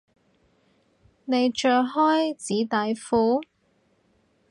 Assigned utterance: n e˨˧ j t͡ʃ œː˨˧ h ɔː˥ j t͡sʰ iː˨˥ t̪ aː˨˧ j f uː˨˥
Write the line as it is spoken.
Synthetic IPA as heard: n e˨˧ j t͡ʃ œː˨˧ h ɔː˥ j t͡s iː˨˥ t̪ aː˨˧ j f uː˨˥